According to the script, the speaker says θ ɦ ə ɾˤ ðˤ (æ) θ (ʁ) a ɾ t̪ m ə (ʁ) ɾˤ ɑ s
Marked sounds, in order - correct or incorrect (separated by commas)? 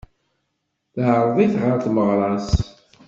incorrect, correct, correct